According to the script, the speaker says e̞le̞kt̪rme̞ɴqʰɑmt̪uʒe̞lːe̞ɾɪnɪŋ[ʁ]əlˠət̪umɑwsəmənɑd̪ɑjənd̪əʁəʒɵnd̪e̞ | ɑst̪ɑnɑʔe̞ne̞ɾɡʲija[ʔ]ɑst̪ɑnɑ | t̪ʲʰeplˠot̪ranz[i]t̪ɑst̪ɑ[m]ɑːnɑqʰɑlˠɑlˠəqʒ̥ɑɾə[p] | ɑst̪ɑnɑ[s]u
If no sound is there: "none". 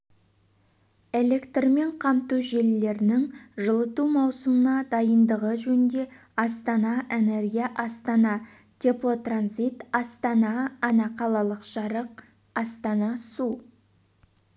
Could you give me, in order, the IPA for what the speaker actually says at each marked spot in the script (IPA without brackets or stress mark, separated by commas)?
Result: ʒ, ʔ, i, n, q, s